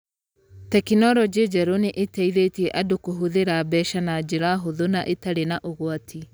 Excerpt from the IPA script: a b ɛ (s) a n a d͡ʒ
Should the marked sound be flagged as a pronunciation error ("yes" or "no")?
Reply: yes